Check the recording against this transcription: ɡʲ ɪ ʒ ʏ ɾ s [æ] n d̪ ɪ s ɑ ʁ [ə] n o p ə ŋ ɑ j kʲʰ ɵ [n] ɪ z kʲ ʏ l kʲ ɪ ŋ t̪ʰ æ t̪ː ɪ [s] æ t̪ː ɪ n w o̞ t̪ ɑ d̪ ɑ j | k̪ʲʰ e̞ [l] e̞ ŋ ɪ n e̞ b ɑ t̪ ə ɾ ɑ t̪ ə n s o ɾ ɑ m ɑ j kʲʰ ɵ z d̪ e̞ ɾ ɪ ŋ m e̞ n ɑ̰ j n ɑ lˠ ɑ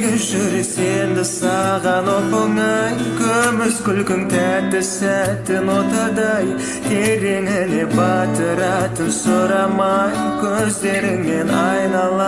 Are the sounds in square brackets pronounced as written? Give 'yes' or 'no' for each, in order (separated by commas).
no, no, no, yes, no